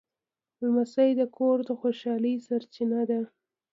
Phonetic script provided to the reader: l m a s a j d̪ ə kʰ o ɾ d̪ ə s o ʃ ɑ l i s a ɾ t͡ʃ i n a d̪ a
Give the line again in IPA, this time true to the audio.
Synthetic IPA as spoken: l m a s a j d̪ ə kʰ o ɾ d̪ ə x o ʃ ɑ l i s a ɾ t͡ʃ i n a d̪ a